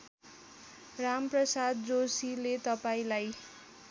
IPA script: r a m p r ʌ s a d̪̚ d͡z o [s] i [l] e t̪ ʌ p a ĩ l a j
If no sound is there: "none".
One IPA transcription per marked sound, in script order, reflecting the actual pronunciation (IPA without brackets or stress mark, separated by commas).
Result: s, l